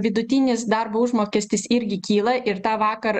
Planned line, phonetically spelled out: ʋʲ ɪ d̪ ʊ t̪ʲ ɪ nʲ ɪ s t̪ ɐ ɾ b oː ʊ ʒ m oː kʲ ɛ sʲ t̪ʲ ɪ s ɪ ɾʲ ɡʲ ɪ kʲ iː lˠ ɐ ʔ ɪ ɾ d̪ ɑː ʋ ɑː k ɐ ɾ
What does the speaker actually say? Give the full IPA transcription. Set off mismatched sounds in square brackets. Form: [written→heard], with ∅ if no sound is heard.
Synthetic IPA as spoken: ʋʲ ɪ d̪ ʊ t̪ʲ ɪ nʲ ɪ s [t̪→d̪] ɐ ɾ b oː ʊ ʒ m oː kʲ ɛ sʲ t̪ʲ ɪ s ɪ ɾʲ ɡʲ ɪ kʲ iː lˠ ɐ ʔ ɪ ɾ [d̪→t̪] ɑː ʋ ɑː k ɐ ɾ